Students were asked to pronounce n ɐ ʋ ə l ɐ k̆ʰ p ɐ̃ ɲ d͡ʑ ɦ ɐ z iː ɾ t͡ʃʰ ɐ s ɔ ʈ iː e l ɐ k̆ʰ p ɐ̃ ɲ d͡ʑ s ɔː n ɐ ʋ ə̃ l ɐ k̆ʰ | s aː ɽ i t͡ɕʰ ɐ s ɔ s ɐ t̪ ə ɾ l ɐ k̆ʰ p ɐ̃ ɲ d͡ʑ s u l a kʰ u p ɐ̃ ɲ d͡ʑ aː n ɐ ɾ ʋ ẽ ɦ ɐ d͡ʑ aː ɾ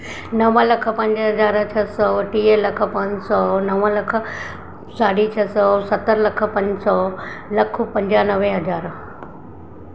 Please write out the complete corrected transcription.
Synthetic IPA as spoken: n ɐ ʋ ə l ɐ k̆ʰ p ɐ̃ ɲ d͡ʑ ɦ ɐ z aː ɾ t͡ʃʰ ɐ s ɔ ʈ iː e l ɐ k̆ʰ p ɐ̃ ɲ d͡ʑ s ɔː n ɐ ʋ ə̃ l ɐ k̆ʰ | s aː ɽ i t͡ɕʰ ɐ s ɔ s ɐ t̪ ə ɾ l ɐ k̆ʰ p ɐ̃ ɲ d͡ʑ s ɔ l ɐ kʰ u p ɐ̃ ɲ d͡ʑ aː n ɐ ʋ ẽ ɦ ɐ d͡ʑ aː ɾ